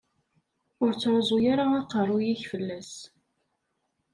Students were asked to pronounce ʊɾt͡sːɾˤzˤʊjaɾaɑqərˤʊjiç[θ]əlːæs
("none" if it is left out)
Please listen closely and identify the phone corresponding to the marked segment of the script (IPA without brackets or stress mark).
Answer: f